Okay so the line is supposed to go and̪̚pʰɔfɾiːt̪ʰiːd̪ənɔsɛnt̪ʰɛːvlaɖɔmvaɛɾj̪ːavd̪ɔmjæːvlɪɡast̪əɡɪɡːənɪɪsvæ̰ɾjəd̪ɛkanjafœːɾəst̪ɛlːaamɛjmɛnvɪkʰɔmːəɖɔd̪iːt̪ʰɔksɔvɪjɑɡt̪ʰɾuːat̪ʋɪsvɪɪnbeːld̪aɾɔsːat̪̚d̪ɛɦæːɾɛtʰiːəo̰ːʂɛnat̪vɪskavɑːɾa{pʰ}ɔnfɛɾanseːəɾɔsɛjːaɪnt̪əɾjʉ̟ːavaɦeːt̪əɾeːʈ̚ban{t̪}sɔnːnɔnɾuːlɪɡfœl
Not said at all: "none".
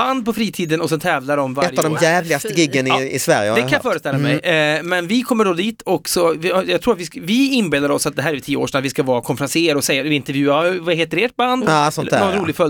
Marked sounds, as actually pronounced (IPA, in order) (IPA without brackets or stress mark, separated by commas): kʰ, d̪